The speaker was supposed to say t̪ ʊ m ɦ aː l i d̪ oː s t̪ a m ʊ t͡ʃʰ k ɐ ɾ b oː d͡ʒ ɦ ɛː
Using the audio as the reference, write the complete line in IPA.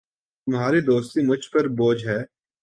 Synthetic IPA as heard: t̪ ʊ m ɦ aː ɾ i d̪ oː s t̪ i m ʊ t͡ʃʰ p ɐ ɾ b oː d͡ʒ ɦ ɛː